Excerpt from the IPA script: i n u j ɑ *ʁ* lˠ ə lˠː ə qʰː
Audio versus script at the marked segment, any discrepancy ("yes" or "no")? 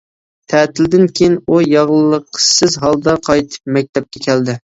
no